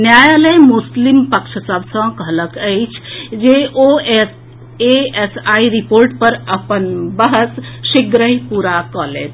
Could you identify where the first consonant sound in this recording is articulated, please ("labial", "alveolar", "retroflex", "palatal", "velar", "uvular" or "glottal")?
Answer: alveolar